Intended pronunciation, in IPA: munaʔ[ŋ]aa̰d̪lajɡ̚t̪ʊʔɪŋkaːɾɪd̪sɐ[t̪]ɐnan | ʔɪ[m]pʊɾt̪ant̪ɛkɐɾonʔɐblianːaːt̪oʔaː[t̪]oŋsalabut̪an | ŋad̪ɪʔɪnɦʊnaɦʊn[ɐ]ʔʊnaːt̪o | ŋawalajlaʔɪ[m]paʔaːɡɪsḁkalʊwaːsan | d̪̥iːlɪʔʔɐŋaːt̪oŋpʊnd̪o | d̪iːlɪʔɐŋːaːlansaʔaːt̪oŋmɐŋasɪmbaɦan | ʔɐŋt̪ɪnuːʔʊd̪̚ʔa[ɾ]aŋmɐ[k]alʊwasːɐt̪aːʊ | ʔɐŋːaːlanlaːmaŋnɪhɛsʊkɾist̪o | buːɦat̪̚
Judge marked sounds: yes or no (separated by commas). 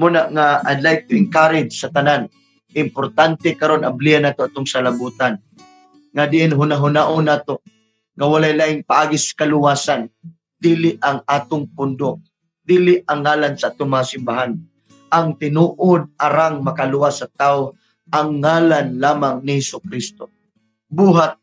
yes, yes, yes, yes, no, no, yes, yes